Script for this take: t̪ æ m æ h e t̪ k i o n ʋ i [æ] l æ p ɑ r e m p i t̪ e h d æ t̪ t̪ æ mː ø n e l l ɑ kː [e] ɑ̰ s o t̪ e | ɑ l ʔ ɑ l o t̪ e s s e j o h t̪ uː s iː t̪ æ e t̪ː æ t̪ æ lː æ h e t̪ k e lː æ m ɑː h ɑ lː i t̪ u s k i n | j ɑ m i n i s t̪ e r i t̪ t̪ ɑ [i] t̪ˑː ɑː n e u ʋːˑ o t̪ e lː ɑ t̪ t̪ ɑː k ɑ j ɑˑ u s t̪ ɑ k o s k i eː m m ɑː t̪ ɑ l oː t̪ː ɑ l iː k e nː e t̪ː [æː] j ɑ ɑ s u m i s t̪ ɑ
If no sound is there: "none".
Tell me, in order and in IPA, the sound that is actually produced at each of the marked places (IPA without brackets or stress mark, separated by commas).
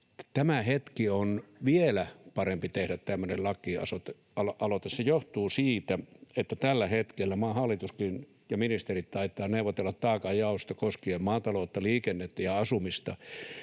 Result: e, i, i, æ